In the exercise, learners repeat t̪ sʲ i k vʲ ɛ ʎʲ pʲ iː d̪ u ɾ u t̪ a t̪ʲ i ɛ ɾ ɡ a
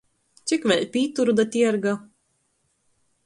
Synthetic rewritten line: t̪ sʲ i k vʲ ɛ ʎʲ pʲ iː t̪ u ɾ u d̪ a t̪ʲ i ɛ ɾ ɡ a